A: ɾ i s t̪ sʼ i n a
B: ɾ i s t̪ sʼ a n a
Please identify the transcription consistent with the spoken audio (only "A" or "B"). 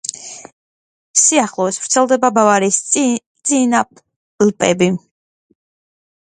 A